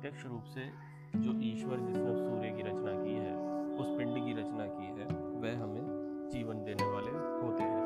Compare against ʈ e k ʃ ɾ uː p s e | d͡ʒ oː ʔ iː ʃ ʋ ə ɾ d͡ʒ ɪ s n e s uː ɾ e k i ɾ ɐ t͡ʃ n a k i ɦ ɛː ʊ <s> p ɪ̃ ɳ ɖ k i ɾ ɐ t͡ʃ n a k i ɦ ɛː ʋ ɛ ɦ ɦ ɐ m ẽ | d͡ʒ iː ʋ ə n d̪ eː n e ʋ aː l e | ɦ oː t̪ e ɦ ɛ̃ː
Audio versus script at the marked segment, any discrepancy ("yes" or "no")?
no